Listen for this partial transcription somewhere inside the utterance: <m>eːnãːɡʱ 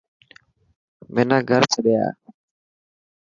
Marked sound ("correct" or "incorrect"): correct